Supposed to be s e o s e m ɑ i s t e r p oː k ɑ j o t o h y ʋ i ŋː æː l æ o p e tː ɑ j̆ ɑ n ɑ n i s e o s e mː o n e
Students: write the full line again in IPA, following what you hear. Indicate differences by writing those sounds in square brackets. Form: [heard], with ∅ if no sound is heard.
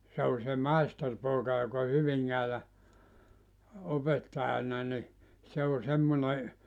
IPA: s e o s e m ɑ i s t e r p oː k ɑ j o [k] o h y ʋ i ŋː æː l æ o p e tː ɑ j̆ ɑ n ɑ n i s e o s e mː o n e